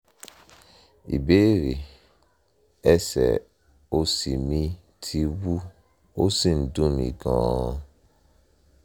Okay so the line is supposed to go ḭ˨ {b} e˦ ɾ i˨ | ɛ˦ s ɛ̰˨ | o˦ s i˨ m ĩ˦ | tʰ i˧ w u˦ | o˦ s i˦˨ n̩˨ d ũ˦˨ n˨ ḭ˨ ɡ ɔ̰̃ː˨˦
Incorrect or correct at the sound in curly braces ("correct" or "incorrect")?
correct